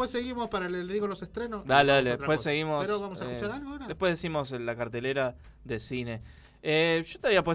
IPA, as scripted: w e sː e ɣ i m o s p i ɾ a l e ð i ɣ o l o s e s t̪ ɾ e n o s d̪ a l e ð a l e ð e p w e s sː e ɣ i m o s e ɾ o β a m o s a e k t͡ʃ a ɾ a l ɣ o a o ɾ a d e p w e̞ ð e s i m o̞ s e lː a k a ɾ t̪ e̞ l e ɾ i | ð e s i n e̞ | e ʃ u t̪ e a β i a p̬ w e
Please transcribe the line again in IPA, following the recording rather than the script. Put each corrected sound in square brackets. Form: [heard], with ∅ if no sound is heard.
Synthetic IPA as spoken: w e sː e ɣ i m o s p [a] ɾ a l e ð i ɣ o l o s e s t̪ ɾ e n o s d̪ a l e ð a l e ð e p w e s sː e ɣ i m o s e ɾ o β a m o s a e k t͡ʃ a ɾ a l ɣ o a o ɾ a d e p w e̞ ð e s i m o̞ s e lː a k a ɾ t̪ e̞ l e ɾ [a] | ð e s i n e̞ | e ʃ [o] t̪ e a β i a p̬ w e